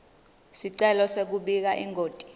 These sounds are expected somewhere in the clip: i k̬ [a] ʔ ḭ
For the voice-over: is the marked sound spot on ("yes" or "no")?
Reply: yes